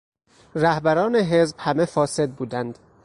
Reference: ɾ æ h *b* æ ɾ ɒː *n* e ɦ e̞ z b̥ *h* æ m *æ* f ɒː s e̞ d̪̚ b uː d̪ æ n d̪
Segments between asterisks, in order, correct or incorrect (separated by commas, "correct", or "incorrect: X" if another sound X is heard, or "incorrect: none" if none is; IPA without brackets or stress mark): correct, correct, correct, incorrect: e